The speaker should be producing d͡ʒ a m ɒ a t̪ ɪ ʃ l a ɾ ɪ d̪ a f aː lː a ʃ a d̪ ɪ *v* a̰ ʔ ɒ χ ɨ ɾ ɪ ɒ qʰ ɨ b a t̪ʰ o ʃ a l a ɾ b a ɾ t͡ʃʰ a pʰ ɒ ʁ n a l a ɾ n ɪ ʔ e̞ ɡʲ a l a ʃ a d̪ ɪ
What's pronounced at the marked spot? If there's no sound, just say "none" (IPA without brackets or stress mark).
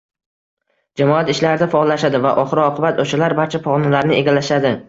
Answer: v